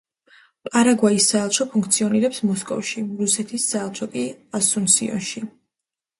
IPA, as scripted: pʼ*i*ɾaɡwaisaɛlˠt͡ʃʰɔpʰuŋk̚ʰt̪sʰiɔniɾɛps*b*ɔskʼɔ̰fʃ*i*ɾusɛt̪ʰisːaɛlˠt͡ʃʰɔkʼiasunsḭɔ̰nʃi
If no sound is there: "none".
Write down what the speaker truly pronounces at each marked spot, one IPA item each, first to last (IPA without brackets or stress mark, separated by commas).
a, m, i